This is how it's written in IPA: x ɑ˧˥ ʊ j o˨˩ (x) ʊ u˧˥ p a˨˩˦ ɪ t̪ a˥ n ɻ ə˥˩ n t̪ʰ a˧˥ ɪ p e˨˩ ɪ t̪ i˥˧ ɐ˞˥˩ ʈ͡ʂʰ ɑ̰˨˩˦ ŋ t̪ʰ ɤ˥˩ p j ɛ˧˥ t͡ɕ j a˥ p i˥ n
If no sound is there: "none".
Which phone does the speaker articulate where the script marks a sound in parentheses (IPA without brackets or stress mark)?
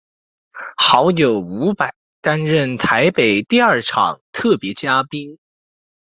none